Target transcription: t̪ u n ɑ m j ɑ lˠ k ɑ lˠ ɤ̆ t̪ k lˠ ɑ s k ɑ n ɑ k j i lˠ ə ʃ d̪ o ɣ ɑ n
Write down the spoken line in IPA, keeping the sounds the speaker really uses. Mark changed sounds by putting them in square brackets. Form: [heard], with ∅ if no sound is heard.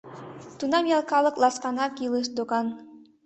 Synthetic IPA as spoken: t̪ u n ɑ m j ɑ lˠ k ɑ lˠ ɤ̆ [∅] k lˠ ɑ s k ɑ n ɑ k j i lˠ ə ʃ d̪ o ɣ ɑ n